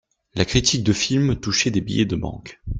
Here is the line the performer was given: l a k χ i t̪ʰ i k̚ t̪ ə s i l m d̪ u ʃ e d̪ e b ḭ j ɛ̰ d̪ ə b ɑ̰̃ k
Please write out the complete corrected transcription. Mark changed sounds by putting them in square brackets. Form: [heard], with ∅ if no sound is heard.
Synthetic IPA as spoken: l a k χ i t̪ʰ i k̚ [d̪] ə [f] i l m [t̪] u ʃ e d̪ e b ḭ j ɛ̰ d̪ ə b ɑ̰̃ k